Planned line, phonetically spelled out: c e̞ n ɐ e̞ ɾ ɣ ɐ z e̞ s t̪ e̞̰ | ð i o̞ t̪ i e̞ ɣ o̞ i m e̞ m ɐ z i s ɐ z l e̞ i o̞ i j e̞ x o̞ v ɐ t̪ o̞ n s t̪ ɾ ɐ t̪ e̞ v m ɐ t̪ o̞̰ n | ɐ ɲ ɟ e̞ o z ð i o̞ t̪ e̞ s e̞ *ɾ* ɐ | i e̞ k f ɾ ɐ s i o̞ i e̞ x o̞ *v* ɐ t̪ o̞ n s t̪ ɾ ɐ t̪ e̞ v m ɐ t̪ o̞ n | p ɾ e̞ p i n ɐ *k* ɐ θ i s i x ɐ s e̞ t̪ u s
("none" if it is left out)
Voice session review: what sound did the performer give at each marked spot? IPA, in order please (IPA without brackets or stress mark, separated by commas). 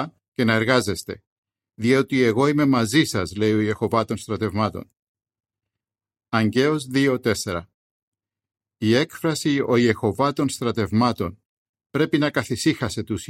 ɾ, v, k